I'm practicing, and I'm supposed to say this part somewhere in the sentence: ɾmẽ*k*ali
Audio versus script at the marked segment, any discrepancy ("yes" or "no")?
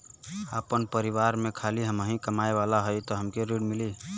yes